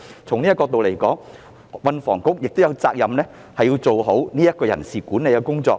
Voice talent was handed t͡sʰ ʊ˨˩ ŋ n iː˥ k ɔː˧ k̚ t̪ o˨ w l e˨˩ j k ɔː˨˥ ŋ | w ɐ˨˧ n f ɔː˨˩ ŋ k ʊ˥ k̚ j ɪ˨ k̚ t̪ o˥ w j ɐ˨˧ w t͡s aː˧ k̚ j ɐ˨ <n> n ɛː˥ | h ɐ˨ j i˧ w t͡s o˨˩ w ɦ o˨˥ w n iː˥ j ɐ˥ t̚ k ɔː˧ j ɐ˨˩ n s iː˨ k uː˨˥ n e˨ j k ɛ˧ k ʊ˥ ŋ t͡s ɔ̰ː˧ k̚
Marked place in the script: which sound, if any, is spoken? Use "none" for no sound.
m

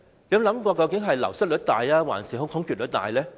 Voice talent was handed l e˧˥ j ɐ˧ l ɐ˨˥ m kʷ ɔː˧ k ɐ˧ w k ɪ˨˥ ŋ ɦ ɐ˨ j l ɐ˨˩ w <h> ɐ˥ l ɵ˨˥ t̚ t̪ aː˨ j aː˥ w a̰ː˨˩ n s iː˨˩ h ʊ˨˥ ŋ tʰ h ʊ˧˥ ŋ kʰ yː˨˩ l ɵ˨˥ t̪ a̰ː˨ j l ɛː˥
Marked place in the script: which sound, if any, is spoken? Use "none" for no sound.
s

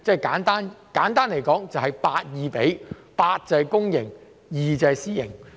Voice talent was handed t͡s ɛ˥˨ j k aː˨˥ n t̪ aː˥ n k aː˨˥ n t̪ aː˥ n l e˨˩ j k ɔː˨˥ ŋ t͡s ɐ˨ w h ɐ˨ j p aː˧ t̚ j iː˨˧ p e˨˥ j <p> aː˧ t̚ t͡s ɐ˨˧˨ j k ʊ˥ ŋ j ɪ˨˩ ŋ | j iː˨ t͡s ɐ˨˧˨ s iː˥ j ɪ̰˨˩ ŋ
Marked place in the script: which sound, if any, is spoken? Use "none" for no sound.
p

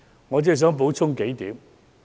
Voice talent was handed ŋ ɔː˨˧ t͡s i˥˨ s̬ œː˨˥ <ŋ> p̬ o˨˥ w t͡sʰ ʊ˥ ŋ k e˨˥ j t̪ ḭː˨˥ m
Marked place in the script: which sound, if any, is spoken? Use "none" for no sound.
ŋ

